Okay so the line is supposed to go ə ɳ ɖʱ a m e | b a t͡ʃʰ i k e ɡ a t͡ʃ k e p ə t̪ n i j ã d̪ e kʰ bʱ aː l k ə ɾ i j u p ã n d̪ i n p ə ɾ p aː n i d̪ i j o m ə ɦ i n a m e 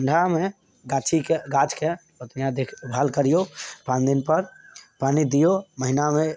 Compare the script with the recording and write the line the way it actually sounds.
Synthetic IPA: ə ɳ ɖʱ a m e | ɡ a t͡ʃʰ i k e ɡ a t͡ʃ k e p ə t̪ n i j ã d̪ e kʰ bʱ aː l k ə ɾ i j o p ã n d̪ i n p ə ɾ p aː n i d̪ i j o m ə ɦ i n a m e

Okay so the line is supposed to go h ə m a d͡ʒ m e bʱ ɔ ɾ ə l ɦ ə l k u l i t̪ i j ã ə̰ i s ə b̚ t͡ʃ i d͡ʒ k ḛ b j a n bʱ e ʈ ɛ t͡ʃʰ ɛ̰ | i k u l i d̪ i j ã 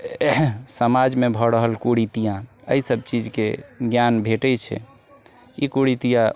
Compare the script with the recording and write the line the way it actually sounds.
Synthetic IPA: s ə m a d͡ʒ m e bʱ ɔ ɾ ə ɦ ə l k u ɽ i t̪ i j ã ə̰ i s ə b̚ t͡ʃ i d͡ʒ k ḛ ɡ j a n bʱ e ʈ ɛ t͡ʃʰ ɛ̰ | i k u ɽ i t̪ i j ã

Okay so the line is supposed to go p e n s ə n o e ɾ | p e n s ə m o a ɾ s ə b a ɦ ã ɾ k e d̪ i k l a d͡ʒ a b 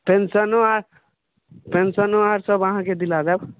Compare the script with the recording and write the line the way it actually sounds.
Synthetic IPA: p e n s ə n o a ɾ | p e n s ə n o a ɾ s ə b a ɦ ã k e d̪ i l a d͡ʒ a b

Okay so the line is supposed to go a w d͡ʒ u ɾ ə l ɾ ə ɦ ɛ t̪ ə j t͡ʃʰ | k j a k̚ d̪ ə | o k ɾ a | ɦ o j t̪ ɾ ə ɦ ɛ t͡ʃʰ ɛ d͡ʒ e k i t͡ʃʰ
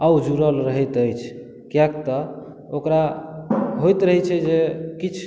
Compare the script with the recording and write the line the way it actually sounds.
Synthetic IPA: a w d͡ʒ u ɾ ə l ɾ ə ɦ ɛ t̪ ə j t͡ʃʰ | k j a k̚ t̪ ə | o k ɾ a | ɦ o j t̪ ɾ ə ɦ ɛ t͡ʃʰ ɛ d͡ʒ e k i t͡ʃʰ

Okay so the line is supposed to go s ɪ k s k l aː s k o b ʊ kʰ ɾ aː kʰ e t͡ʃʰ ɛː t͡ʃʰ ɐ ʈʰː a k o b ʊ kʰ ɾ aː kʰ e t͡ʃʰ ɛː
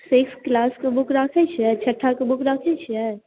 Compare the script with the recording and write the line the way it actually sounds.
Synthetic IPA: s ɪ k s k l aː s k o b ʊ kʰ ɾ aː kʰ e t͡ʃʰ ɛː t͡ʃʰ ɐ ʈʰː a k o b ʊ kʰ ɾ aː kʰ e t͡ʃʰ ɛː

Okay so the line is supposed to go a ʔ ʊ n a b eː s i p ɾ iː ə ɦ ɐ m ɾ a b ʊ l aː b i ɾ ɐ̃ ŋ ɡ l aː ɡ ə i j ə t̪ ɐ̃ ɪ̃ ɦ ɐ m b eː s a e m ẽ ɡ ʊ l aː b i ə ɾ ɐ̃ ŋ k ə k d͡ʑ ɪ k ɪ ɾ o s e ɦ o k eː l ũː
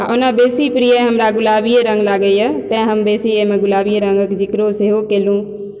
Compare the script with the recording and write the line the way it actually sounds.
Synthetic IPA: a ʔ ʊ n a b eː s i p ɾ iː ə ɦ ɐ m ɾ a ɡ ʊ l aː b i ɾ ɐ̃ ŋ ɡ l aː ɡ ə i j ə t̪ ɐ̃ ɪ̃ ɦ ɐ m b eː s i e m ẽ ɡ ʊ l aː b i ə ɾ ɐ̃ ŋ ɡ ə k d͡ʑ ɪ k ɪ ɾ o s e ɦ o k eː l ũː

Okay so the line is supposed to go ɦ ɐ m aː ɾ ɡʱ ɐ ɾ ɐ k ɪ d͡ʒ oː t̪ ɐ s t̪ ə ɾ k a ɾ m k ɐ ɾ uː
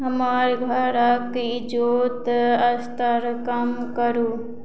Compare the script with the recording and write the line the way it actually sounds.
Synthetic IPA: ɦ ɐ m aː ɾ ɡʱ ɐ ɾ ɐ k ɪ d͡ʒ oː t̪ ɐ s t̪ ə ɾ k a m k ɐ ɾ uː

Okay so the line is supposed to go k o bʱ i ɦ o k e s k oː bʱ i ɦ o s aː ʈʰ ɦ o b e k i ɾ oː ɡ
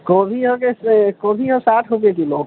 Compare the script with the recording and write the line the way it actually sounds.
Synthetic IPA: k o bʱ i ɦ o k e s k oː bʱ i ɦ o s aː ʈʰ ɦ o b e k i l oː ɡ

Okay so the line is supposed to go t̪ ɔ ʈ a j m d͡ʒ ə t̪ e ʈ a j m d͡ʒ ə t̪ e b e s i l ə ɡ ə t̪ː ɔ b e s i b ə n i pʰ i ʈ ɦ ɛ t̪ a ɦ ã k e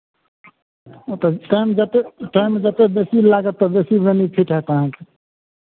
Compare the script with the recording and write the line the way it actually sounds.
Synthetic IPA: t̪ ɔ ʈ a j m d͡ʒ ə t̪ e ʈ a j m d͡ʒ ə t̪ e b e s i l a ɡ ə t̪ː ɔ b e s i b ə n i pʰ i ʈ ɦ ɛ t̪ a ɦ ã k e

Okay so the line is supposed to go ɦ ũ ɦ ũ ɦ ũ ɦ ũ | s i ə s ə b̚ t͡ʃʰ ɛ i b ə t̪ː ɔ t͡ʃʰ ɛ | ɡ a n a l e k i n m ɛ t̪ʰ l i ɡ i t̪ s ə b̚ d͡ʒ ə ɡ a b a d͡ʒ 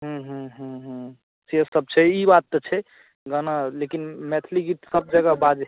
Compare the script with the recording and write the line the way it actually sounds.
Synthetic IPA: ɦ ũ ɦ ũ ɦ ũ ɦ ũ | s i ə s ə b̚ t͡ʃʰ ɛ i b a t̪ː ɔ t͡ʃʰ ɛ | ɡ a n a l e k i n m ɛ t̪ʰ l i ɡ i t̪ s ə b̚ d͡ʒ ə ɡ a b a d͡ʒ

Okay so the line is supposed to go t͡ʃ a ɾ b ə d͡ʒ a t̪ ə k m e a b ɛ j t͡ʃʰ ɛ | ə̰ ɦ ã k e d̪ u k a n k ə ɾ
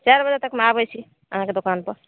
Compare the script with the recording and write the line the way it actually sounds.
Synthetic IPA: t͡ʃ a ɾ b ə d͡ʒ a t̪ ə k m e a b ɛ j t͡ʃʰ i | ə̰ ɦ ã k e d̪ o k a n p ə ɾ

